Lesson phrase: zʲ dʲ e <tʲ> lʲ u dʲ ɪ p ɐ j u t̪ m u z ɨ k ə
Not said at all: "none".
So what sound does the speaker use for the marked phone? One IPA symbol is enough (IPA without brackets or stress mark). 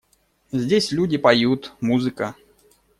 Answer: sʲ